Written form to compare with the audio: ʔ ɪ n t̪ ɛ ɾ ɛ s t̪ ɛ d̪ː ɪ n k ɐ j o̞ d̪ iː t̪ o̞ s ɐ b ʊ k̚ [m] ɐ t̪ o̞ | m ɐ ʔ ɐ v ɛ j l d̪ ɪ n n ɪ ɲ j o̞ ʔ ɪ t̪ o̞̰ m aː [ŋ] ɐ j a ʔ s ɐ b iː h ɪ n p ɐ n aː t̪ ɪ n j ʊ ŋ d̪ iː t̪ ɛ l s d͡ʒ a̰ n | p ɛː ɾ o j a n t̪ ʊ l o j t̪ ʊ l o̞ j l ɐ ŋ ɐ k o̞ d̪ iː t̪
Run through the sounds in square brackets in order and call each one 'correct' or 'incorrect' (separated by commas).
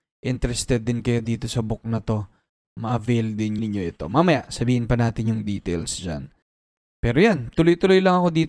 incorrect, incorrect